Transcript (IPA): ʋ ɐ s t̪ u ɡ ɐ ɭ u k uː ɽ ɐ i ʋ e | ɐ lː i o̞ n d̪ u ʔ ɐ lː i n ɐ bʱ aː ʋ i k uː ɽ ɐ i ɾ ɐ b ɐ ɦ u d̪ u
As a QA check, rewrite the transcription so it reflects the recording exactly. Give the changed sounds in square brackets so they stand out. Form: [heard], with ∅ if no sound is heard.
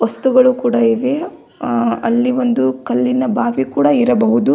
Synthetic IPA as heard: ʋ ɐ s t̪ u ɡ ɐ ɭ u k uː ɽ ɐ i ʋ e | ɐ lː i o̞ n d̪ u [k] ɐ lː i n ɐ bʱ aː ʋ i k uː ɽ ɐ i ɾ ɐ b ɐ ɦ u d̪ u